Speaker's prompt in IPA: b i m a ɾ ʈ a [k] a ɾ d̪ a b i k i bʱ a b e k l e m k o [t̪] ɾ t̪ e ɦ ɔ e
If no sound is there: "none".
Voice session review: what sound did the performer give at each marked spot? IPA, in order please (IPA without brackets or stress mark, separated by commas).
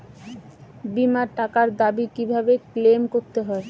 k, none